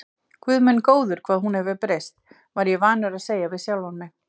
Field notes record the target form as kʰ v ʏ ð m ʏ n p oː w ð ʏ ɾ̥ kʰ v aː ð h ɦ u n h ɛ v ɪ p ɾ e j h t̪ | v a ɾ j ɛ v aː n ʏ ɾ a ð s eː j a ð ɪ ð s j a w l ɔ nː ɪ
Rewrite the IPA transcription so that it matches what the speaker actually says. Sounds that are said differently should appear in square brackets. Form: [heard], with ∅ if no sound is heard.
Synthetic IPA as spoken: kʰ v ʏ ð m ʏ n [k] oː w ð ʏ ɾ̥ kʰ v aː ð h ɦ u n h ɛ v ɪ p ɾ e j [s] t̪ | v a ɾ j ɛ v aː n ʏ ɾ a ð s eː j a [v] ɪ ð s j a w l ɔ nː ɪ